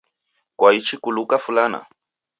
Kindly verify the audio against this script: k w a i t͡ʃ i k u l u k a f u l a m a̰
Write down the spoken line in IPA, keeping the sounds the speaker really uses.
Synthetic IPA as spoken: k w a i t͡ʃ i k u l u k a f u l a n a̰